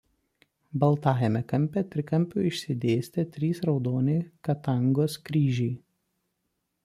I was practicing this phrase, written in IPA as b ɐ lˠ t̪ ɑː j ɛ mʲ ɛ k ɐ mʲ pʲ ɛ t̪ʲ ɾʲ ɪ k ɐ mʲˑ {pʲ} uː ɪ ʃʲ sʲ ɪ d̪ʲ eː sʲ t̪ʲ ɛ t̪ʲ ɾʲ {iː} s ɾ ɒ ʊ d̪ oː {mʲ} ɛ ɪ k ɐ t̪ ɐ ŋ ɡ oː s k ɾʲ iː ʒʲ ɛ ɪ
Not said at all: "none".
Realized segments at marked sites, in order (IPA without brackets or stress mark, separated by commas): pʲ, iː, nʲ